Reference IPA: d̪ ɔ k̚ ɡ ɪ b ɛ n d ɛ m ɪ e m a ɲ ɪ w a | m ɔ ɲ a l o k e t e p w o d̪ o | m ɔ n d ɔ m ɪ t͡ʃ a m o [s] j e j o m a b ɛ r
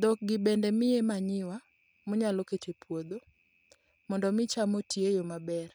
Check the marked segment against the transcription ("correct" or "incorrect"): incorrect